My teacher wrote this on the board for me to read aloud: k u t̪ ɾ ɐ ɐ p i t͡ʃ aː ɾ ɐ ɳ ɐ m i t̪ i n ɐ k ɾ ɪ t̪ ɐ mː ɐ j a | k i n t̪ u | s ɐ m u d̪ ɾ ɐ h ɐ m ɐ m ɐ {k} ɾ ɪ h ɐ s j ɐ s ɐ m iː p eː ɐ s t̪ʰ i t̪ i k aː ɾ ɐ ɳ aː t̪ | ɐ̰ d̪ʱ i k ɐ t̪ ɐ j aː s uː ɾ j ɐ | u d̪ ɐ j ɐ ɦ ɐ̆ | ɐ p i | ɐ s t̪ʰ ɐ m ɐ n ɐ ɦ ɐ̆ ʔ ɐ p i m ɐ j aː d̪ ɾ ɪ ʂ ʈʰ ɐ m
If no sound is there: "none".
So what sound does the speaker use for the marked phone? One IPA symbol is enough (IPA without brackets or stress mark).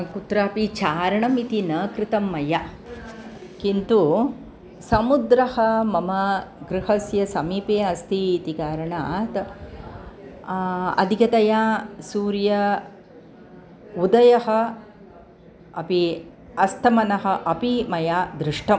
ɡ